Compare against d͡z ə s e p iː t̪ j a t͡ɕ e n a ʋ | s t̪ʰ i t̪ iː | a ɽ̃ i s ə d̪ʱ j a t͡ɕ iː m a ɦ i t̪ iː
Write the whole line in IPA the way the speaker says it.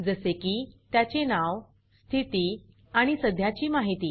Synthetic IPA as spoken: d͡z ə s e k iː t̪ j a t͡ɕ e n a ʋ | s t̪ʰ i t̪ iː | a ɽ̃ i s ə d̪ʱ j a t͡ɕ iː m a ɦ i t̪ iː